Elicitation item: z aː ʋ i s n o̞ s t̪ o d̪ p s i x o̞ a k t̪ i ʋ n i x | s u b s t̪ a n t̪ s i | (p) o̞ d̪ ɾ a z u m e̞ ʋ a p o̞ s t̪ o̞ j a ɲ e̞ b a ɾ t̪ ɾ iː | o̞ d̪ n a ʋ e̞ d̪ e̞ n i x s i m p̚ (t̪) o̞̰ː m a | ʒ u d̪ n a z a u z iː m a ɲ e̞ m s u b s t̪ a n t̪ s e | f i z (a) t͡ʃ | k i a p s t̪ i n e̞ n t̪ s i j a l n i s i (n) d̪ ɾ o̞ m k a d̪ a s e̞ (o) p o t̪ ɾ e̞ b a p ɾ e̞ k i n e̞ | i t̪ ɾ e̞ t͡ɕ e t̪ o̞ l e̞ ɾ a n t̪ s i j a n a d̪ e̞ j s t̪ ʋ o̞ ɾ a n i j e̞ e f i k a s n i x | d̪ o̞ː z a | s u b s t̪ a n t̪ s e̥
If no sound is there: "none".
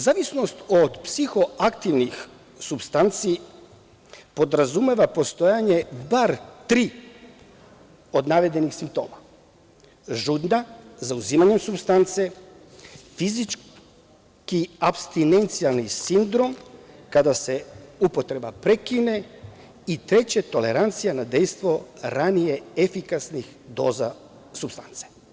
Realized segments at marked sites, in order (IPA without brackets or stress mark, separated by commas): p, t̪, i, n, u